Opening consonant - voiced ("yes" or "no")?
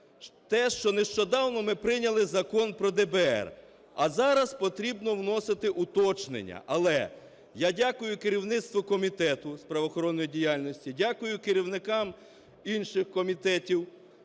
no